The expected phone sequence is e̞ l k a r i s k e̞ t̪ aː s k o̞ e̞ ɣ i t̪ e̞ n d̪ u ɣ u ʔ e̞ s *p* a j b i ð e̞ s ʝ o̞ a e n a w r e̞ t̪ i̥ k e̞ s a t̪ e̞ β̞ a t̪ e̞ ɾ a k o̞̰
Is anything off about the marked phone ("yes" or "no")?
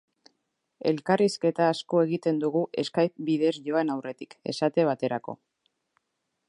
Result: yes